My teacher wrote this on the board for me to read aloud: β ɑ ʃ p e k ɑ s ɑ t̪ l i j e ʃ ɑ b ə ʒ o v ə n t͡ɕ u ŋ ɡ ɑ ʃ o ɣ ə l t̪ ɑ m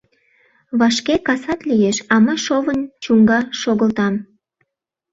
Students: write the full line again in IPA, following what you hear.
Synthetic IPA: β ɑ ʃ k e k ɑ s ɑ t̪ l i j e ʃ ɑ m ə ʃ o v ə n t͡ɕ u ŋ ɡ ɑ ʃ o ɣ ə l t̪ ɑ m